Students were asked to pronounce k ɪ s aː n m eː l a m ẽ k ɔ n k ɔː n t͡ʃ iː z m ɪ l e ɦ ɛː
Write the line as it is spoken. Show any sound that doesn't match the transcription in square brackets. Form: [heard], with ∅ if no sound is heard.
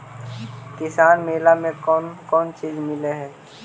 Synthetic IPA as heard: k ɪ s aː n m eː l a m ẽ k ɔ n k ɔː n t͡ʃ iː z m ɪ l e ɦ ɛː